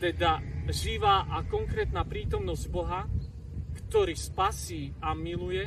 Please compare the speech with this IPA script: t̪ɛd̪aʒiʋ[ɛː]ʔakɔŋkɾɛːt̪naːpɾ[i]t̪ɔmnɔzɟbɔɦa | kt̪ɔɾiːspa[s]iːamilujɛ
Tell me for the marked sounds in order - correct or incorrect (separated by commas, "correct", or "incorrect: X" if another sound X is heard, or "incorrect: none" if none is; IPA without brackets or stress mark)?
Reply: incorrect: aː, incorrect: iː, correct